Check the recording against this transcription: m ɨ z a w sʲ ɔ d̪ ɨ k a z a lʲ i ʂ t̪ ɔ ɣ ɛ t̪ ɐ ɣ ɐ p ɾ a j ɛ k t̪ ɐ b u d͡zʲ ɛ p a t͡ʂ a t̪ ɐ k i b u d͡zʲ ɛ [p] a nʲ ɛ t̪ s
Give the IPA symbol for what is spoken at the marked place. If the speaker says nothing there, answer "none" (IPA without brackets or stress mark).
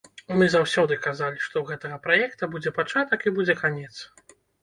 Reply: k